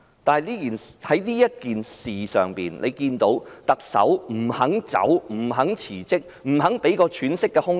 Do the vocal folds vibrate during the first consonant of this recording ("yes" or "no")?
no